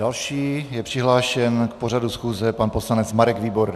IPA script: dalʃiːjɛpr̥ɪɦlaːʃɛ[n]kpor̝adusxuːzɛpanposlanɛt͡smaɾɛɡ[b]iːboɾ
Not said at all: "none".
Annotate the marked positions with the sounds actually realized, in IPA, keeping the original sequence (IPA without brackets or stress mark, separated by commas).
n, v